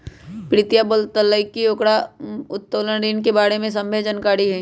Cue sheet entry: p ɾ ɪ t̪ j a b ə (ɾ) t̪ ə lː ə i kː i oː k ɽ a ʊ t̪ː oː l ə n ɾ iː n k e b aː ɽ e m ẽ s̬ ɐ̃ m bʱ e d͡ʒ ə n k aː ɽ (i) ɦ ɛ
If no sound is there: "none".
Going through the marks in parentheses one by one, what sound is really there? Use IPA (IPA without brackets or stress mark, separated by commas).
l, i